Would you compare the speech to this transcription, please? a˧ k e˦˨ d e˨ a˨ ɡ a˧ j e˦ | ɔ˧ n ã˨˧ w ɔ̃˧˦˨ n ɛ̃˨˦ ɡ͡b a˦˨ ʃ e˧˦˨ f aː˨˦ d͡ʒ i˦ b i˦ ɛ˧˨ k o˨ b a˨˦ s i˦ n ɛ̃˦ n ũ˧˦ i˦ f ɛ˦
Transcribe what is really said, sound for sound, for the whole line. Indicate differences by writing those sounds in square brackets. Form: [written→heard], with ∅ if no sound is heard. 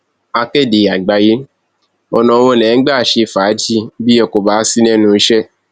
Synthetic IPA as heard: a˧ k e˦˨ d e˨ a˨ [ɡ→ɡ͡b] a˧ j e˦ | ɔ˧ n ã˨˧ w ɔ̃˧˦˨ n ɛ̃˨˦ ɡ͡b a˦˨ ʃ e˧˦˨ f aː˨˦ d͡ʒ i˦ b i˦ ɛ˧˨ k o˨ b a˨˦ s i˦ n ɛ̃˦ n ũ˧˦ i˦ [f→ʃ] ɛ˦

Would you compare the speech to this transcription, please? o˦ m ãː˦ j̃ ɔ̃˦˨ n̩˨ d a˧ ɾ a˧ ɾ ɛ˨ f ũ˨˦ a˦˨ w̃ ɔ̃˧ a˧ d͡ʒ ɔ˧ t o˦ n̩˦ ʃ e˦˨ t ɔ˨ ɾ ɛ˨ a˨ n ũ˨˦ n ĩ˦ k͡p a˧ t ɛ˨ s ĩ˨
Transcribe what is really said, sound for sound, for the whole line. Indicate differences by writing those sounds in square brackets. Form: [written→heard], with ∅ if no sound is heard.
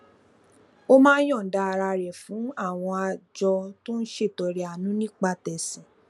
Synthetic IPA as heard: o˦ m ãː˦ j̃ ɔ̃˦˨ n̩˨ d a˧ ɾ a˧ ɾ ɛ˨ f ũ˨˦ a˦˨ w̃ ɔ̃˧ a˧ d͡ʒ ɔ˧ t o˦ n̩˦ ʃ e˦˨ t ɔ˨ ɾ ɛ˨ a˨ n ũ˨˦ n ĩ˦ k͡p a˧ t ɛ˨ s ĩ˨

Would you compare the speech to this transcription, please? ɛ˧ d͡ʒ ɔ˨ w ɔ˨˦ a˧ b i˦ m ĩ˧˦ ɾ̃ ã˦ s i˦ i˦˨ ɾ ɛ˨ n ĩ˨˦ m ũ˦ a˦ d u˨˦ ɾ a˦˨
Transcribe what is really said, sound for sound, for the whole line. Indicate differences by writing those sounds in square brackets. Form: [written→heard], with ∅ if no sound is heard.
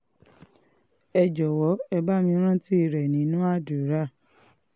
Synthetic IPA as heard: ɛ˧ d͡ʒ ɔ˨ w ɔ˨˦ [a˧→ɛ˧] b [i˦→a˦] m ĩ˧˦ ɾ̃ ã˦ [s→t] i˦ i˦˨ ɾ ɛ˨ n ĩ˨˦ [m→n] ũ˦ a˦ d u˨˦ ɾ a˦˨

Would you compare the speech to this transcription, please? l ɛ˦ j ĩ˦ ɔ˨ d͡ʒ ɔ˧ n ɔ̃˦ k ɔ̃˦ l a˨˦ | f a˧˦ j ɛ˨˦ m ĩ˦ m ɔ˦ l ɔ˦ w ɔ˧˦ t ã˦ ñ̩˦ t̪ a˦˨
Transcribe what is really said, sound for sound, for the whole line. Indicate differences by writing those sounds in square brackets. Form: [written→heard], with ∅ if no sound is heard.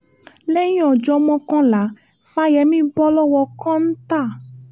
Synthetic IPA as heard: l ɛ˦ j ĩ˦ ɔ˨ d͡ʒ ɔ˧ [n→m] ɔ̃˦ k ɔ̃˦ l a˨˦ | f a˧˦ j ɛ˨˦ m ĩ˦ [m→b] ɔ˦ l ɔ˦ w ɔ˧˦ [t→k] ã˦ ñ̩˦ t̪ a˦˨

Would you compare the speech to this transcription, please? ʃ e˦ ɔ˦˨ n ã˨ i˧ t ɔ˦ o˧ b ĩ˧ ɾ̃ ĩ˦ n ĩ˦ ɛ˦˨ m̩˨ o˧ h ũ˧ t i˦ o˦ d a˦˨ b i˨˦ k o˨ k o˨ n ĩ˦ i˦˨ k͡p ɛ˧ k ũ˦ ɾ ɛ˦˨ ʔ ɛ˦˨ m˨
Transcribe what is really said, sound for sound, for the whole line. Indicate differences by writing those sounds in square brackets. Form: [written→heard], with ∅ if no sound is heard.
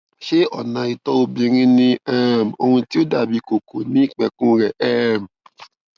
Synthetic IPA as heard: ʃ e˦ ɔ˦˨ n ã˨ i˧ t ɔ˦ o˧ b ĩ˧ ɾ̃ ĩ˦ n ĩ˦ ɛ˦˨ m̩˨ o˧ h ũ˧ t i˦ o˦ d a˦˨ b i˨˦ k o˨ k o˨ n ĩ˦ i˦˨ k͡p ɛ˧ k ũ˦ ɾ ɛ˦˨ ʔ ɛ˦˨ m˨

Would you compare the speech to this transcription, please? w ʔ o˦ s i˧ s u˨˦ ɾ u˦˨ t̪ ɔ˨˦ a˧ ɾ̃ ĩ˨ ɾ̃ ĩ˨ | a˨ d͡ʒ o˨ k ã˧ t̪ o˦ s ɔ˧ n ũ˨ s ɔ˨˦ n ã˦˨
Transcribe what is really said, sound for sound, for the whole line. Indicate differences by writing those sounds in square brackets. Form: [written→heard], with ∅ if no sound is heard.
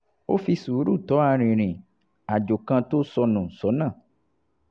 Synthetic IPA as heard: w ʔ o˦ [s→f] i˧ s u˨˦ ɾ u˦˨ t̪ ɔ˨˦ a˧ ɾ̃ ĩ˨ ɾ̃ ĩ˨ | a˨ d͡ʒ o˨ k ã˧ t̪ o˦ s ɔ˧ n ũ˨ s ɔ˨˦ n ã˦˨

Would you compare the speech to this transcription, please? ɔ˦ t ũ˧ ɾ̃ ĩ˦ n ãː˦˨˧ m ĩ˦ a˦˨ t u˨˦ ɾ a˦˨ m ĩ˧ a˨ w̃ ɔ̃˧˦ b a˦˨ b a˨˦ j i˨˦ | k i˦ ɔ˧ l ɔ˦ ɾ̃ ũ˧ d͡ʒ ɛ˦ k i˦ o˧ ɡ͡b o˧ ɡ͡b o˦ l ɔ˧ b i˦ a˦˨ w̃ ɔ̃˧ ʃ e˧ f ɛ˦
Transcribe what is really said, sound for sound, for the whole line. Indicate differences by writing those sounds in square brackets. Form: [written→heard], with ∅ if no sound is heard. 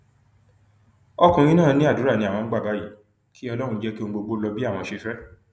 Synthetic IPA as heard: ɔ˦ [t→k] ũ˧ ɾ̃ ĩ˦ n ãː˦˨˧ [m→n] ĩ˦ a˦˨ [t→d] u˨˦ ɾ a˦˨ [m→n] ĩ˧ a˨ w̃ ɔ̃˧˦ [b→ɡ͡b] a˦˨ b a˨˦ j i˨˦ | k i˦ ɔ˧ l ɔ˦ ɾ̃ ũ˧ d͡ʒ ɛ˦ k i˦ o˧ ɡ͡b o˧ ɡ͡b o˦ l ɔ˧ b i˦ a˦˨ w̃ ɔ̃˧ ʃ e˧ f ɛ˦

